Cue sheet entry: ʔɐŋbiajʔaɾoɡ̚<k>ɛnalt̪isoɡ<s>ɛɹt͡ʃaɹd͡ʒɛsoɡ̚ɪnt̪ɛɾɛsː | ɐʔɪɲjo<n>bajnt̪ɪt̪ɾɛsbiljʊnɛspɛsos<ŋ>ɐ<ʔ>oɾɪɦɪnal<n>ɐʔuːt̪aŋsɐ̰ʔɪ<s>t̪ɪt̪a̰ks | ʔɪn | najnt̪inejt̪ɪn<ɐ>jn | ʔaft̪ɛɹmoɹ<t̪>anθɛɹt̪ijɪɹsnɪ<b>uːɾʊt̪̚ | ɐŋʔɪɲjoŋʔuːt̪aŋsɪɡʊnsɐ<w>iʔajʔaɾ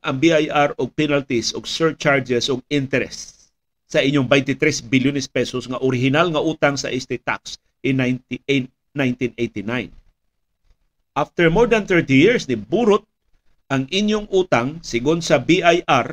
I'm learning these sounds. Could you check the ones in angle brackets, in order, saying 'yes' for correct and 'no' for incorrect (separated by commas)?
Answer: no, yes, no, yes, yes, no, yes, no, no, yes, no